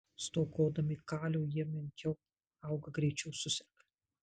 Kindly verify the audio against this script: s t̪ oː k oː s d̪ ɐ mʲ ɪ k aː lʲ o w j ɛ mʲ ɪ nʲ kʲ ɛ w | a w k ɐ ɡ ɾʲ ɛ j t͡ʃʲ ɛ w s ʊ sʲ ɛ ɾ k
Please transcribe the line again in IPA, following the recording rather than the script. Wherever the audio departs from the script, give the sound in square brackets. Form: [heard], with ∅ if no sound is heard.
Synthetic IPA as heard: s t̪ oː k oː [∅] d̪ ɐ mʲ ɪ k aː lʲ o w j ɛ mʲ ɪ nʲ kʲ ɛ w | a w [ɡ] ɐ ɡ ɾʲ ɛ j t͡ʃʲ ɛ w s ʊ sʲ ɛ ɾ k